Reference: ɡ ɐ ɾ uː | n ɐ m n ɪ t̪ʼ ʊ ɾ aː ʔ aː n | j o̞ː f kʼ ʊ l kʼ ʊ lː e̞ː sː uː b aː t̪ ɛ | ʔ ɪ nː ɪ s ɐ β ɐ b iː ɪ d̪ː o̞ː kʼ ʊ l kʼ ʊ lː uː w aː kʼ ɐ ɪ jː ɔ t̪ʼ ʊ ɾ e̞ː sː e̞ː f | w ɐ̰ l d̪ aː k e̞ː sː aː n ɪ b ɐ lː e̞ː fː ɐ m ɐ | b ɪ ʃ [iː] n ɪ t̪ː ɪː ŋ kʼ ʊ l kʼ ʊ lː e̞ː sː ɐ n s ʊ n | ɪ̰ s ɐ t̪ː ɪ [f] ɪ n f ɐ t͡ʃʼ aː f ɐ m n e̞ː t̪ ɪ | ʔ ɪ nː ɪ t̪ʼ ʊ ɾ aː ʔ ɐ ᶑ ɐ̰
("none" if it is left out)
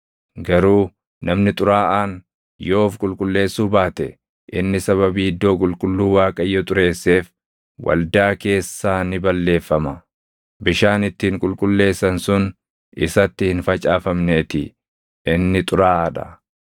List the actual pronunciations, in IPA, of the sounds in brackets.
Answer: aː, h

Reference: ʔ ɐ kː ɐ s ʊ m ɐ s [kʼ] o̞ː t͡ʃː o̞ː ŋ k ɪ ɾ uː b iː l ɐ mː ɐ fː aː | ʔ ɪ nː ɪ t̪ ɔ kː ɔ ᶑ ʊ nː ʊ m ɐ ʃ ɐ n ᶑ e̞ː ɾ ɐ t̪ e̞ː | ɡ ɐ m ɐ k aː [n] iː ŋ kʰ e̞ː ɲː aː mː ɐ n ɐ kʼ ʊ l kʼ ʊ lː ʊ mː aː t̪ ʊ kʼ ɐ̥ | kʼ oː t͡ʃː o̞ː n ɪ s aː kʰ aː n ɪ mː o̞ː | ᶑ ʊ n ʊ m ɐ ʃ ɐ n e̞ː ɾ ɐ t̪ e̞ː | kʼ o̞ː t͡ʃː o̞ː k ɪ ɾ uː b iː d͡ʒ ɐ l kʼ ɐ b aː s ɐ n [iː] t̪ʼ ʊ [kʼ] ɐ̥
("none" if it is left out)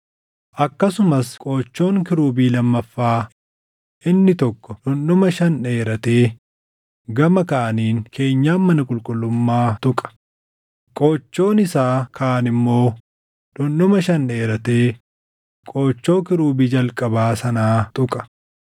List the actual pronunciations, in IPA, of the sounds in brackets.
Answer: kʼ, n, aː, kʼ

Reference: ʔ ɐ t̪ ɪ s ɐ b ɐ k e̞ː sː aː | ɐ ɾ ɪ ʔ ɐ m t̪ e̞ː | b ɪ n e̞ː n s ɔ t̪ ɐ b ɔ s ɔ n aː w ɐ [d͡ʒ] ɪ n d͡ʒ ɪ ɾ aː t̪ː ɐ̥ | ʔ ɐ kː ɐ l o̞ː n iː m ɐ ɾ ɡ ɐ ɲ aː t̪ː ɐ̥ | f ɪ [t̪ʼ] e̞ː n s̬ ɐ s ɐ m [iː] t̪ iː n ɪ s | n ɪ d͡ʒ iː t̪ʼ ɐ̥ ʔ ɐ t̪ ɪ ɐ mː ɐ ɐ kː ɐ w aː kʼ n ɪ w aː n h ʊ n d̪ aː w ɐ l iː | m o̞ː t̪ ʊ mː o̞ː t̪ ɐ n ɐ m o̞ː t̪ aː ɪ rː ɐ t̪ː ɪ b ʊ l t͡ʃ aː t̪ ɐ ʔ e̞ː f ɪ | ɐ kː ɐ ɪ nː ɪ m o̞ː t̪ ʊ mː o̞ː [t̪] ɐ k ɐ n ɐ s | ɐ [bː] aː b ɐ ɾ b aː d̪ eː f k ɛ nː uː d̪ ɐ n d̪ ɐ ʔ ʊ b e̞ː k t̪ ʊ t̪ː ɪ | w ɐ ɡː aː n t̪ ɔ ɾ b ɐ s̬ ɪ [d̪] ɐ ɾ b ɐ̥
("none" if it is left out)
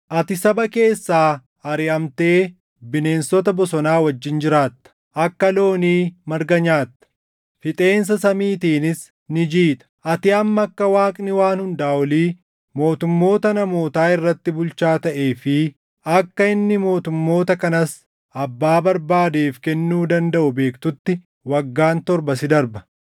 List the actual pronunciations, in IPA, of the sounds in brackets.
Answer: d͡ʒː, t̪ʼ, iː, t̪, bː, d̪

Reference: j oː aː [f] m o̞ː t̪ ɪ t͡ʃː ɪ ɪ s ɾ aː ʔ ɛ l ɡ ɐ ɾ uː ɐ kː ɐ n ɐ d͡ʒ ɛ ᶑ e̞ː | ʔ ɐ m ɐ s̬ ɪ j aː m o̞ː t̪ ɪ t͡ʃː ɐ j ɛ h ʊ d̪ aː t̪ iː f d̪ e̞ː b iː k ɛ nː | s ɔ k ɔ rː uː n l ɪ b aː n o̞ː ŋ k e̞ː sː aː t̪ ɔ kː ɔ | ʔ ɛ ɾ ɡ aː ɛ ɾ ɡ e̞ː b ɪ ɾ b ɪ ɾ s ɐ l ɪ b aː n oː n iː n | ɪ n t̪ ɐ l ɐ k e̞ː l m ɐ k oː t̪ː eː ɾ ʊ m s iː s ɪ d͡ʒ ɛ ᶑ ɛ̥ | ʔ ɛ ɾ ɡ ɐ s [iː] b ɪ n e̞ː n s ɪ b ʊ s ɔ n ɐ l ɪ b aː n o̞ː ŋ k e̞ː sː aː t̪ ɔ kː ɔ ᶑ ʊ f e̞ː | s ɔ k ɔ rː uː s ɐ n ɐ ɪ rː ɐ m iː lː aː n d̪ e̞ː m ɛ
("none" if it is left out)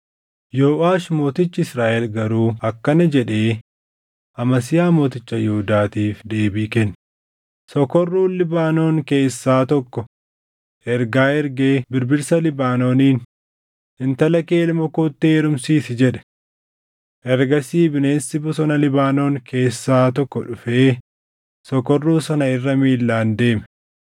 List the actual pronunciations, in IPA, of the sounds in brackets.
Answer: ʃ, iː

